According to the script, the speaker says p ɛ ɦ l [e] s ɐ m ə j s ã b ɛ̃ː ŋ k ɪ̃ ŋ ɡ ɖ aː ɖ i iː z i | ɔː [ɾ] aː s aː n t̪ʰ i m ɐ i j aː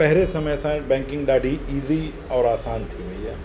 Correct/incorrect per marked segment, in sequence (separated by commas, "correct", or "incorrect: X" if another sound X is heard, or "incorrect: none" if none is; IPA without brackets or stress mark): correct, correct